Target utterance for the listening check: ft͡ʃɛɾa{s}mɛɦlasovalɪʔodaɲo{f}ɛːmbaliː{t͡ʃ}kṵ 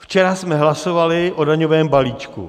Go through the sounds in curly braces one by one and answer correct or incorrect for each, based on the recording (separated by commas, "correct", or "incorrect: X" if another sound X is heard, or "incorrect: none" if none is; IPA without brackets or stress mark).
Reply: correct, incorrect: v, correct